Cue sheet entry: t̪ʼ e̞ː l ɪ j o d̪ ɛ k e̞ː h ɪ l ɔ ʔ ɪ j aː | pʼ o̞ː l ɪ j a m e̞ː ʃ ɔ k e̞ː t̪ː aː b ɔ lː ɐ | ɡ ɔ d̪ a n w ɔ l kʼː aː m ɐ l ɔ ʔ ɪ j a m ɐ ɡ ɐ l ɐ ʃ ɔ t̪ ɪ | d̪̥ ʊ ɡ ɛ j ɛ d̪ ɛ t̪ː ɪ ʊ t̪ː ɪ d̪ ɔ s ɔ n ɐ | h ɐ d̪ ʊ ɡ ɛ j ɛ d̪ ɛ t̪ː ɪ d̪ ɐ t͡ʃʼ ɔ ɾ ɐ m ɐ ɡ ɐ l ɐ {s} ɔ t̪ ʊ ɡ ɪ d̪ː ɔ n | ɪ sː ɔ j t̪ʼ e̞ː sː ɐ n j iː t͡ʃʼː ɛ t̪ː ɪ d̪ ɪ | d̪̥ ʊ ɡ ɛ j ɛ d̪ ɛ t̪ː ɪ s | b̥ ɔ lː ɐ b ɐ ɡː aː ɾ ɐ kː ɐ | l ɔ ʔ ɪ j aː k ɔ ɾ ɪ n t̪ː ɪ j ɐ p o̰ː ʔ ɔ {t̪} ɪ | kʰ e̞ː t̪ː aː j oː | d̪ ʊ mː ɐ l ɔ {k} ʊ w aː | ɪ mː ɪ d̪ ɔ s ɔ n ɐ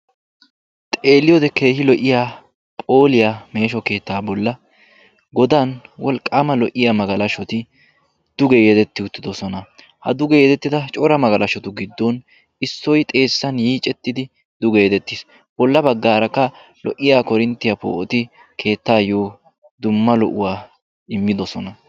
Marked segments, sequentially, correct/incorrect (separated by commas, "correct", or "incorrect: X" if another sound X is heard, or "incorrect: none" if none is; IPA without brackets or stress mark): incorrect: ʃ, correct, incorrect: ʔ